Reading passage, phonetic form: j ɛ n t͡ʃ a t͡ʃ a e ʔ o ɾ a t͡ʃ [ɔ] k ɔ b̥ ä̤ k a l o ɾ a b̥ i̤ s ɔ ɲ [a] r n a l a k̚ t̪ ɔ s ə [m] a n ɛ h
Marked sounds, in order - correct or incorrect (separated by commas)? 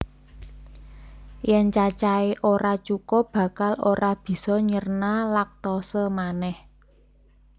incorrect, incorrect, correct